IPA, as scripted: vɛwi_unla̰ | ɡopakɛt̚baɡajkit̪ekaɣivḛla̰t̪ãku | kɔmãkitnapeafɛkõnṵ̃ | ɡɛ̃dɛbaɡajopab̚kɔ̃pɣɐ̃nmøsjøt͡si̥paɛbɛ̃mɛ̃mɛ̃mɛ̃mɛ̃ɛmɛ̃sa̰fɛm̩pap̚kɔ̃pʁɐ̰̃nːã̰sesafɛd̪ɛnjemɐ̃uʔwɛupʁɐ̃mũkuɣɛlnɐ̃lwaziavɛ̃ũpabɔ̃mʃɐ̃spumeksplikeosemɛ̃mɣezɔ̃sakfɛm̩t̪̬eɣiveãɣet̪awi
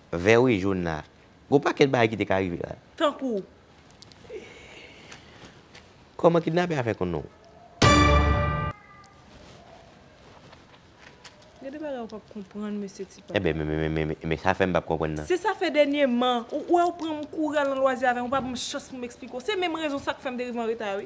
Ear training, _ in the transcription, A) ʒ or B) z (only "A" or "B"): A